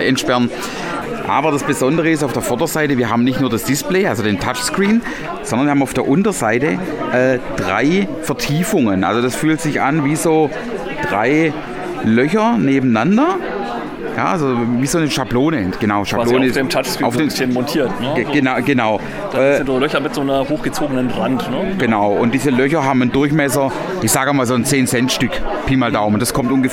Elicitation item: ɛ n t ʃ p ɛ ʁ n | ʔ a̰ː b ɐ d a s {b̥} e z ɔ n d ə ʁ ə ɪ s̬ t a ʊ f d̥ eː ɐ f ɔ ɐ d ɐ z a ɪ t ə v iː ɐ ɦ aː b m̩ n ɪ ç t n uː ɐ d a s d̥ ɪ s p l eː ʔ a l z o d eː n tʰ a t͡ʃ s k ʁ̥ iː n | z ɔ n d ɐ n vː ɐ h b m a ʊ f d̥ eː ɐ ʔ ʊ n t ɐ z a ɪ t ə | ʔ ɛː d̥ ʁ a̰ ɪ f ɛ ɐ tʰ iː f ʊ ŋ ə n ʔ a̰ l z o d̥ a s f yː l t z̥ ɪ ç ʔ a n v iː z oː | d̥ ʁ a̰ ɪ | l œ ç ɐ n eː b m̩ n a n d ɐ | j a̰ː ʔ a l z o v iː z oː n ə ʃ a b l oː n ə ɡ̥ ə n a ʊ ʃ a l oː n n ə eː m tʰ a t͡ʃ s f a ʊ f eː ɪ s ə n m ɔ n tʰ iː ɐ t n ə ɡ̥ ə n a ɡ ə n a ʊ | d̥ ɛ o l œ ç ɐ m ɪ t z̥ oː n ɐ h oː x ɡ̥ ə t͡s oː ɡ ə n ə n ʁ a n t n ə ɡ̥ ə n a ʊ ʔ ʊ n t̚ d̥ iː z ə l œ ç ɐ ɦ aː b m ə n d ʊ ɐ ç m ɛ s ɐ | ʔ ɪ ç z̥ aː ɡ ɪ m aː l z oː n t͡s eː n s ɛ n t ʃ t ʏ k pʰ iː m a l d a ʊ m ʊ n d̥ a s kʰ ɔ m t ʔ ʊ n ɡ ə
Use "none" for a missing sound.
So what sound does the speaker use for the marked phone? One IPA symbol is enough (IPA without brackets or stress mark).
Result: b̥